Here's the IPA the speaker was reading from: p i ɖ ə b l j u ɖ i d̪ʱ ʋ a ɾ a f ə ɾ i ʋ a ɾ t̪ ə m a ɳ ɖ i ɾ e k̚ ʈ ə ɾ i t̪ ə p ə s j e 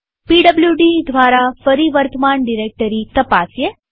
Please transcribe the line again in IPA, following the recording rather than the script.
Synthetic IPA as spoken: p i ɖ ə b l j u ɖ i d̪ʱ ʋ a ɾ a f ə ɾ i ʋ ə ɾ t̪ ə m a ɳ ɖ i ɾ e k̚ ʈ ə ɾ i t̪ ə p a s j e